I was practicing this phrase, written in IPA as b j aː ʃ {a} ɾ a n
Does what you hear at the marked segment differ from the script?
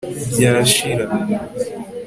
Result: yes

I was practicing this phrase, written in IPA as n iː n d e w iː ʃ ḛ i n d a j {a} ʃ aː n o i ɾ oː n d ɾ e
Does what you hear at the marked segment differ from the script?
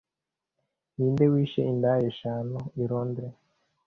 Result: yes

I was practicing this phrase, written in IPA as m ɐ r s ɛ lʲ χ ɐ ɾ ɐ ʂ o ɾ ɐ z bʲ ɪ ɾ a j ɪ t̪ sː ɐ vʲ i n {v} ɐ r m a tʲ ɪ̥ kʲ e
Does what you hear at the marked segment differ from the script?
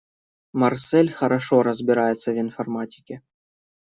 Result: yes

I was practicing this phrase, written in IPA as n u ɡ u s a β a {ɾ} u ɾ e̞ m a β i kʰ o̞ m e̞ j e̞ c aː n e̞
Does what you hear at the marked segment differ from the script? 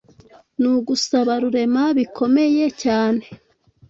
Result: no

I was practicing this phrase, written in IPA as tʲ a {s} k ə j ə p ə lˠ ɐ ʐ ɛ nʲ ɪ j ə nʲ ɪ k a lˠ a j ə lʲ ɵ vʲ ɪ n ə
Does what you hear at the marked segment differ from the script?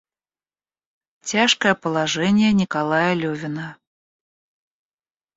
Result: yes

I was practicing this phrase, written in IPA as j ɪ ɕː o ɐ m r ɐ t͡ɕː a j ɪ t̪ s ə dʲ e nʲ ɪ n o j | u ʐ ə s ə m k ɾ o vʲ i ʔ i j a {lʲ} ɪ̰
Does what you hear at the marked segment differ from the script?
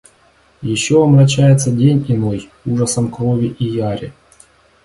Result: yes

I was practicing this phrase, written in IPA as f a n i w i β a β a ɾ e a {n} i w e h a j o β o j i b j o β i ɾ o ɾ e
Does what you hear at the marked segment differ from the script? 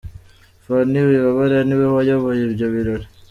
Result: no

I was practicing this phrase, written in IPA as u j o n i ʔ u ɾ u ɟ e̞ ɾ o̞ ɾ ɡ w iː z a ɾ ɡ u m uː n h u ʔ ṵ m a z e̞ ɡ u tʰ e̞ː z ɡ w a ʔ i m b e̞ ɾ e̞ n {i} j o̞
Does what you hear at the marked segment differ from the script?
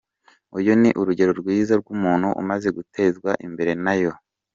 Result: yes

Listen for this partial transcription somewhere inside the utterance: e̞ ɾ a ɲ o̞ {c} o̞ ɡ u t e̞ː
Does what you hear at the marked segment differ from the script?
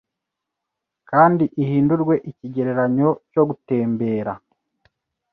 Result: no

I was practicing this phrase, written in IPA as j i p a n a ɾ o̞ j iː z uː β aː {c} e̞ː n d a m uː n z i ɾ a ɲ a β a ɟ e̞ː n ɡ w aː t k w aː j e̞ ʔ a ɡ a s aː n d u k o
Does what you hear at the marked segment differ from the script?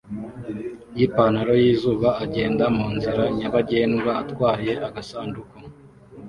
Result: yes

